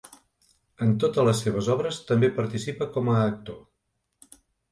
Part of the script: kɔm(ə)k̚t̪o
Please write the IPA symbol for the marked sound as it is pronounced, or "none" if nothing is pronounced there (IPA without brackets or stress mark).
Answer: əː